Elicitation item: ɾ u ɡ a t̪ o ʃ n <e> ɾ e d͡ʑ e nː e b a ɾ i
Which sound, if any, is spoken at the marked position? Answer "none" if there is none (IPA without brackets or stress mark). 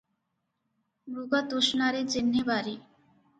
a